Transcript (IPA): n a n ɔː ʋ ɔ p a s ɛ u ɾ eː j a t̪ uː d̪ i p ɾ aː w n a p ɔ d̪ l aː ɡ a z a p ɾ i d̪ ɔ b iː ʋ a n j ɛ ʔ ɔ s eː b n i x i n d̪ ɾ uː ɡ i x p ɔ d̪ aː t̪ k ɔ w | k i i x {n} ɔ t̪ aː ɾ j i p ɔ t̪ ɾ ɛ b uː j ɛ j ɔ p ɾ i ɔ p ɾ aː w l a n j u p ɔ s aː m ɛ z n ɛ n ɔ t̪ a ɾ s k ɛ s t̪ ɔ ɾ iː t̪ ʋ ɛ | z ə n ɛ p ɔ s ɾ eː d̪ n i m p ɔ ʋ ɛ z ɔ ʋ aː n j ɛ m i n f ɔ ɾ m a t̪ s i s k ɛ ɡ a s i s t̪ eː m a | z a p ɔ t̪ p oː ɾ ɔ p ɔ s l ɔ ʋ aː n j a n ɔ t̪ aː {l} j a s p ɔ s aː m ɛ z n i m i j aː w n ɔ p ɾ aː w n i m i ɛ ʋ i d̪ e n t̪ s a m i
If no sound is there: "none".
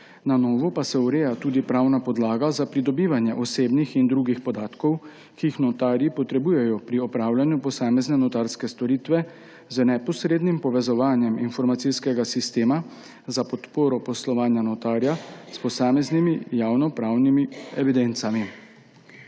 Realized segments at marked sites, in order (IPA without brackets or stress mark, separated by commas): n, ɾ